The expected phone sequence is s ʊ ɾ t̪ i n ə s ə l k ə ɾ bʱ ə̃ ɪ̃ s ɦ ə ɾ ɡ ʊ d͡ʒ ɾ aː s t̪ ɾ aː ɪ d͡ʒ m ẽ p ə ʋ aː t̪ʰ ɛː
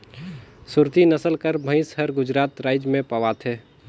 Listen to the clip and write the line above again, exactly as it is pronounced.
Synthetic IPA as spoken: s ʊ ɾ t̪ i n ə s ə l k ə ɾ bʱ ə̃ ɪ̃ s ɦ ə ɾ ɡ ʊ d͡ʒ ɾ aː t̪ ɾ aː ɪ d͡ʒ m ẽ p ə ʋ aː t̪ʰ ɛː